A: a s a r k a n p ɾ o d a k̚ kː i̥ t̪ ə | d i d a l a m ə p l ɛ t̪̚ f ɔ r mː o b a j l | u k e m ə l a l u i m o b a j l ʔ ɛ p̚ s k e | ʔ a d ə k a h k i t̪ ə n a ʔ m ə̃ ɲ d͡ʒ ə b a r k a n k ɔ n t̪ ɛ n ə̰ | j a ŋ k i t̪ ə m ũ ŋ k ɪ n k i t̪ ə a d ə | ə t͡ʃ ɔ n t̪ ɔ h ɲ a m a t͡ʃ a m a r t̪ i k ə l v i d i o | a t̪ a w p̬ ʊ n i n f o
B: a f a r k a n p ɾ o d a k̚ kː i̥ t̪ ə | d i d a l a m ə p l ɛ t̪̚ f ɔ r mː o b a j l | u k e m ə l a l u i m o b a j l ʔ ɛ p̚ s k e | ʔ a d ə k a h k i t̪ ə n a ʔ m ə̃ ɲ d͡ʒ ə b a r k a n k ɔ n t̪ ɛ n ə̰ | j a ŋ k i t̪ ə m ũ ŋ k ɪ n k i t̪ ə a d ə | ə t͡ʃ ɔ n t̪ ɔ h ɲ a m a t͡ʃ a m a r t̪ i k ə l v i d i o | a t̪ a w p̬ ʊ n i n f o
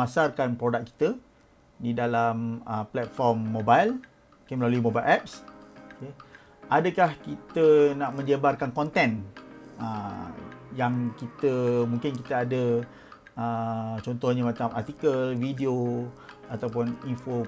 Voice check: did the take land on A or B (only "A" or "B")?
A